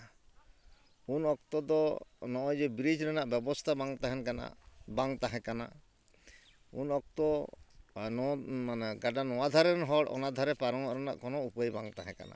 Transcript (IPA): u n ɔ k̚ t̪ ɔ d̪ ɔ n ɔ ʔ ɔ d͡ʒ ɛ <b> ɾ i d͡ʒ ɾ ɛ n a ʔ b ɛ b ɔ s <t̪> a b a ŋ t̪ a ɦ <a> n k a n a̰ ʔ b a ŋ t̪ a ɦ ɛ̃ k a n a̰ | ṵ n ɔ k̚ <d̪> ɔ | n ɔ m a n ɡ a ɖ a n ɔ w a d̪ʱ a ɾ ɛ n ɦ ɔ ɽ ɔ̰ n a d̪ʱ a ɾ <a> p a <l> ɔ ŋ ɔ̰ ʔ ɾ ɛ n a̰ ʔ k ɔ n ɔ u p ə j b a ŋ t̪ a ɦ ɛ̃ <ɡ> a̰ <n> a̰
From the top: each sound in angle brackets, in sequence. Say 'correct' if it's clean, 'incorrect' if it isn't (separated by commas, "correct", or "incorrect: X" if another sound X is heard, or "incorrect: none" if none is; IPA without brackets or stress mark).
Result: correct, incorrect: t̪ʰ, incorrect: ɛ, incorrect: t̪, incorrect: ɛ, incorrect: ɾ, incorrect: k, correct